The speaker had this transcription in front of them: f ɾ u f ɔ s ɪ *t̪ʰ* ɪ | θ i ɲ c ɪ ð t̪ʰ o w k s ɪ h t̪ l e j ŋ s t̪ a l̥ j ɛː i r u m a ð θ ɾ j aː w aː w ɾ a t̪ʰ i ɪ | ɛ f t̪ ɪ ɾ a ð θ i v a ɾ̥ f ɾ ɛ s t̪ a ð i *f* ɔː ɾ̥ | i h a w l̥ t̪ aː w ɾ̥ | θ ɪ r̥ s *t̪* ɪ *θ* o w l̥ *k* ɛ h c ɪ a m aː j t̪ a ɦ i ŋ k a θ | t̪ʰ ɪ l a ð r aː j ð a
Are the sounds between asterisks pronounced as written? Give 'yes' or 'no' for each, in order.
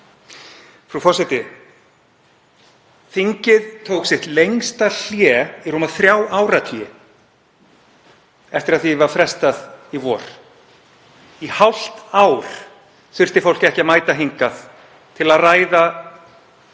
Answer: no, no, yes, no, no

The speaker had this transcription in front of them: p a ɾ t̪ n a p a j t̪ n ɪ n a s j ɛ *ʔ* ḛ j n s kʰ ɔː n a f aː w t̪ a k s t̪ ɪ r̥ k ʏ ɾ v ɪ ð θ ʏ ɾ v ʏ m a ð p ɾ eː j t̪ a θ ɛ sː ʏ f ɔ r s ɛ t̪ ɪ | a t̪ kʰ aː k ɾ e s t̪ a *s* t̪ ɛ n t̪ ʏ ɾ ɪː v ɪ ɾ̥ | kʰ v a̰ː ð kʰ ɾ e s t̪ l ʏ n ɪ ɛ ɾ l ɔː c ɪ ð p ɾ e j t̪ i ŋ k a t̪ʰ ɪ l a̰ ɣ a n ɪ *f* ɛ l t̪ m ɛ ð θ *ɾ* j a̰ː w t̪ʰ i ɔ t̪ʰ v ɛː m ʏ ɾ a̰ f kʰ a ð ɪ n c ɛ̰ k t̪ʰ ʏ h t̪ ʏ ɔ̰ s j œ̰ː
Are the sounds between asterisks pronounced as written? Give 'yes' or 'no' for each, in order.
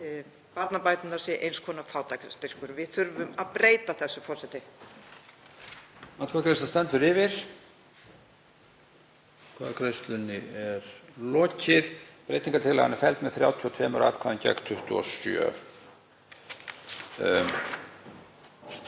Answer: yes, yes, yes, yes

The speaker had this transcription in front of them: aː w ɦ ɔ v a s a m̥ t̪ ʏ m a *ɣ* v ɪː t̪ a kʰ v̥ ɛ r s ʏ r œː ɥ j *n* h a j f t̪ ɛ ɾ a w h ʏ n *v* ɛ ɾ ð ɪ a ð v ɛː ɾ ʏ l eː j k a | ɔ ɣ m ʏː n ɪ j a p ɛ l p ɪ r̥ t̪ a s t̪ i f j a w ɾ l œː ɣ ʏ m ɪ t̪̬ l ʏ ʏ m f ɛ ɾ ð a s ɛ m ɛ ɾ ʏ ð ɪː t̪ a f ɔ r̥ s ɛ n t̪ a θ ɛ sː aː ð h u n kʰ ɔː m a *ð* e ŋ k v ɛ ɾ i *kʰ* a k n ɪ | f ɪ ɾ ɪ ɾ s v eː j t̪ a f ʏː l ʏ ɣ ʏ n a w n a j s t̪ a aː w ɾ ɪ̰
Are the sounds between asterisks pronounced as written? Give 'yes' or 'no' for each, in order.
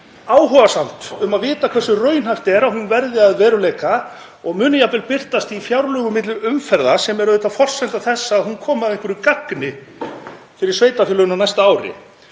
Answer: no, yes, yes, yes, no

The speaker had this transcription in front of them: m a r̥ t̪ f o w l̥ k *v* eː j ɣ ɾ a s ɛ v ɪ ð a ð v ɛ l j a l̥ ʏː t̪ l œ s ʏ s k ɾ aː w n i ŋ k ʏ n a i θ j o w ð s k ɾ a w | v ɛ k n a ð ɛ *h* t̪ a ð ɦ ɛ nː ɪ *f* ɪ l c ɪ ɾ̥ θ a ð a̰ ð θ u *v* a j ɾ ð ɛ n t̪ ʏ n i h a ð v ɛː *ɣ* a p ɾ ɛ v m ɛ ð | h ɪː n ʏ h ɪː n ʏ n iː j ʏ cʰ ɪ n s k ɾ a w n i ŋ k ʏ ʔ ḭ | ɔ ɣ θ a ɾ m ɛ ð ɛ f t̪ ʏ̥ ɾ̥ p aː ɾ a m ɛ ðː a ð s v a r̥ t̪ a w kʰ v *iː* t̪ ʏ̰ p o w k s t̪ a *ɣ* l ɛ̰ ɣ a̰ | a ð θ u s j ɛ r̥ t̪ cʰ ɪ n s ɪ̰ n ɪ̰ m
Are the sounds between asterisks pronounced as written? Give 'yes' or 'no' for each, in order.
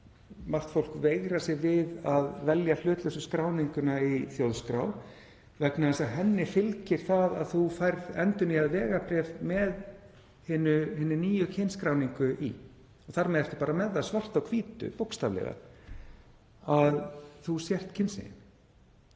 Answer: yes, no, yes, no, yes, yes, no

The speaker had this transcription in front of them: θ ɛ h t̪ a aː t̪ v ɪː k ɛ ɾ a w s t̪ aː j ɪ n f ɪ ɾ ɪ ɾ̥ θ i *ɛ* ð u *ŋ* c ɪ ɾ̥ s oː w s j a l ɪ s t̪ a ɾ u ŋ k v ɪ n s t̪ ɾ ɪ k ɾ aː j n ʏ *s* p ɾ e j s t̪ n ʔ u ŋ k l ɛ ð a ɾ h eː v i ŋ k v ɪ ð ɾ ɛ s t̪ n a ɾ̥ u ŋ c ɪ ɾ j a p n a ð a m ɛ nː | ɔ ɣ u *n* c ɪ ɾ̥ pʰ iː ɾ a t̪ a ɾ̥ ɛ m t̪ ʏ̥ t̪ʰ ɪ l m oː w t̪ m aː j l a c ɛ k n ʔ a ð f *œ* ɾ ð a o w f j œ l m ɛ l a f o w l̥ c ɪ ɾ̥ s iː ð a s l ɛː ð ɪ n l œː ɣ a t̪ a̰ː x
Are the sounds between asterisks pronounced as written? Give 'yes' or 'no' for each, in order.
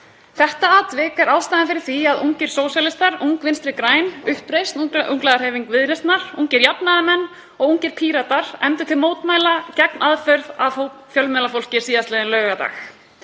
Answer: no, yes, no, no, yes

